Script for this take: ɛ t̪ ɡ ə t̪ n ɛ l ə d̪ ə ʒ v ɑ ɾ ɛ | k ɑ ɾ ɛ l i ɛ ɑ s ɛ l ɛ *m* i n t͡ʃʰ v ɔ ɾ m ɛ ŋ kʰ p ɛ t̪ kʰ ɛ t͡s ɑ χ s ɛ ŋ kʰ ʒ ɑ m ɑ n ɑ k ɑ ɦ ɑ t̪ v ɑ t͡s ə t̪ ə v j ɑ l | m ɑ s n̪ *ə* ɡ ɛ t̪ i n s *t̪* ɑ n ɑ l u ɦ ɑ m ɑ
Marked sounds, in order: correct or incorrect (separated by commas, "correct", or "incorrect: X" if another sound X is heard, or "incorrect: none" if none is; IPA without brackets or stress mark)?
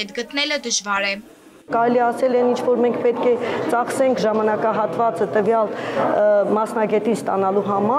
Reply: incorrect: n, incorrect: ɑ, correct